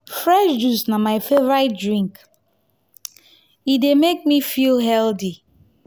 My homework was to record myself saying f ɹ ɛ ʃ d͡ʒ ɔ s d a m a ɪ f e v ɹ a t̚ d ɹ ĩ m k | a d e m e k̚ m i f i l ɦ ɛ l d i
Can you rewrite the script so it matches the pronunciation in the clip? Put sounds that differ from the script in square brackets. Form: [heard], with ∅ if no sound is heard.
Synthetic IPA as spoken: f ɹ ɛ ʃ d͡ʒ [u] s [n] a m a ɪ f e v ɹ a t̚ d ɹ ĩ [ŋ] k | [i] d e m e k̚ m i f i l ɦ ɛ l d i